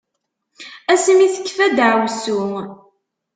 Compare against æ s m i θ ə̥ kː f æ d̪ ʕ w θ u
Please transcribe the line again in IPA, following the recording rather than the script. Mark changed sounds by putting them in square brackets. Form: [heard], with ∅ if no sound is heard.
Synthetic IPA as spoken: æ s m i θ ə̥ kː f æ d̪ ʕ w [s] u